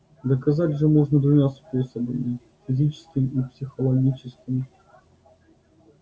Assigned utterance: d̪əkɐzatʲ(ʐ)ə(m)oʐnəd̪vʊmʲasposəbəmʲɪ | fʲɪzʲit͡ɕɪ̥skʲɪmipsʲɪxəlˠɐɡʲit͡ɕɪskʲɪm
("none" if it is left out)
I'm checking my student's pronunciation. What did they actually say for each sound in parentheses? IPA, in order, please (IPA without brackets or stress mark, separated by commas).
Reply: ʐ, m